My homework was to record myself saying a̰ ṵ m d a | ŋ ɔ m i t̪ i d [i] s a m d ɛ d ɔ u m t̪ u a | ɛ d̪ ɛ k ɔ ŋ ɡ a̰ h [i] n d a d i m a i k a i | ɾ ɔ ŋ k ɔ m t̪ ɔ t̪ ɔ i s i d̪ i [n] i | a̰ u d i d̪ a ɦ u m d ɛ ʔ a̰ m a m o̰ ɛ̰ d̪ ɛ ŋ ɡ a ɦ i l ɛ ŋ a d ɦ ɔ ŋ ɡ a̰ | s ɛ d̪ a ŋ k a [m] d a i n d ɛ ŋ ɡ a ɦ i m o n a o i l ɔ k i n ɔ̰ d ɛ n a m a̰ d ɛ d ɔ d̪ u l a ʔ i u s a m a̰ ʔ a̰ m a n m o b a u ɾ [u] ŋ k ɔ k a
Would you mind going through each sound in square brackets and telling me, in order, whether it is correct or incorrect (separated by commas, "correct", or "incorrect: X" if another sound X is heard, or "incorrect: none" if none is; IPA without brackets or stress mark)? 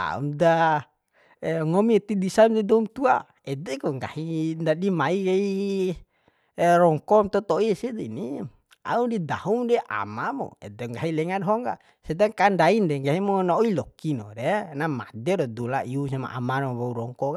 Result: correct, correct, correct, incorrect: n, incorrect: ɔ